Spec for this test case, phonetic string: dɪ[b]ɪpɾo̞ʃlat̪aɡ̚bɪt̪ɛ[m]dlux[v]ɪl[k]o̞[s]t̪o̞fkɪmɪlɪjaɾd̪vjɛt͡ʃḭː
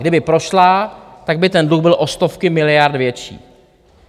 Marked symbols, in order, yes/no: yes, no, no, no, yes

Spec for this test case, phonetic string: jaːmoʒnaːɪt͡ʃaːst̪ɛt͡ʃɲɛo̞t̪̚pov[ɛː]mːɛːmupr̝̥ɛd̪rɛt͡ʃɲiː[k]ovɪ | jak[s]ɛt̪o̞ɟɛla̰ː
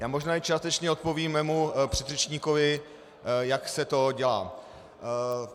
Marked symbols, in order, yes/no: no, yes, yes

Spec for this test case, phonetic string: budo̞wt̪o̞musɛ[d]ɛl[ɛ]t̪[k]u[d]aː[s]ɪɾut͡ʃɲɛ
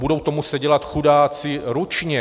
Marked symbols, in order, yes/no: no, no, no, yes, no

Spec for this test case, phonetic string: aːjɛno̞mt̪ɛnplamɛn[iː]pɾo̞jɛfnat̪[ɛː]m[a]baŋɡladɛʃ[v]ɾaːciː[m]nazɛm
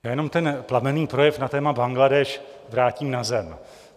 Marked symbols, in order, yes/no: yes, yes, yes, yes, yes

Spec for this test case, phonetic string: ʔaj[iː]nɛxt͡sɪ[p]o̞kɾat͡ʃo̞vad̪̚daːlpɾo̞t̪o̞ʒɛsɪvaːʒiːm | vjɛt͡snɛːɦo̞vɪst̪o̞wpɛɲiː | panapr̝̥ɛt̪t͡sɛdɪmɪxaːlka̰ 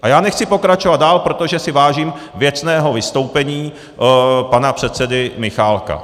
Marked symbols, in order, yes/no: no, yes

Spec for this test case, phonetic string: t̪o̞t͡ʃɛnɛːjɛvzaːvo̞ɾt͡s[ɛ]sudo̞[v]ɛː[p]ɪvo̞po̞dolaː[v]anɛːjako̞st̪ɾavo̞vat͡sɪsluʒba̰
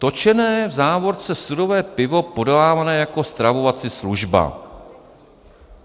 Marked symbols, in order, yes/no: yes, yes, yes, yes

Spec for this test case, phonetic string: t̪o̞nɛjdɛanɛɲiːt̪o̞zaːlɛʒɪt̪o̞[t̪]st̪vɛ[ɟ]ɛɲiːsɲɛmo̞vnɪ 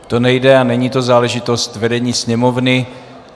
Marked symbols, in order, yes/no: no, no

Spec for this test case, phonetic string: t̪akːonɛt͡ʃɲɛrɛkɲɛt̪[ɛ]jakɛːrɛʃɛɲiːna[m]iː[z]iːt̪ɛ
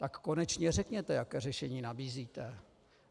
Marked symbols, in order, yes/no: yes, no, yes

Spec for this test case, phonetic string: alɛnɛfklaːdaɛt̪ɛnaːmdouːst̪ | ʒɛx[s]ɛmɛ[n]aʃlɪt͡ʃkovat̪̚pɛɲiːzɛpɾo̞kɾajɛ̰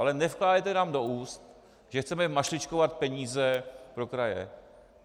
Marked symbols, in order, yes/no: no, no

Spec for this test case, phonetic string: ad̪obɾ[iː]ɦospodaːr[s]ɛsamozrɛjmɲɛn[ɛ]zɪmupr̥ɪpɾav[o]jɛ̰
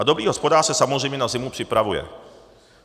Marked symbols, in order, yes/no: yes, yes, no, no

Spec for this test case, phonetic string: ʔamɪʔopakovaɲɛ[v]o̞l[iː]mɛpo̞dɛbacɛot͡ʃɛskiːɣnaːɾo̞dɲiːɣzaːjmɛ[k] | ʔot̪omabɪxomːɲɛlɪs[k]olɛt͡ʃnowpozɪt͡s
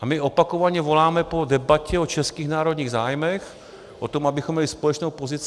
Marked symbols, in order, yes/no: yes, no, no, no

